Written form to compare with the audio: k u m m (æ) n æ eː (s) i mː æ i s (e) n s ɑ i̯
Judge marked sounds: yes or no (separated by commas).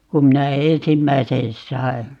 no, yes, yes